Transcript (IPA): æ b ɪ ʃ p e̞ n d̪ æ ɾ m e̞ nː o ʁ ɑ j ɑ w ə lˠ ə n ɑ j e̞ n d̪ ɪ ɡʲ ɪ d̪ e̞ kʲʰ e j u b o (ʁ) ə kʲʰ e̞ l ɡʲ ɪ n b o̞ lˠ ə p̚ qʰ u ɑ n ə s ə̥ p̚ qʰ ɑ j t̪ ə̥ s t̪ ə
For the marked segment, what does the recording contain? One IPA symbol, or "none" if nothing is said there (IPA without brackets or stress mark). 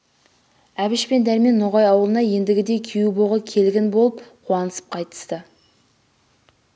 ʁ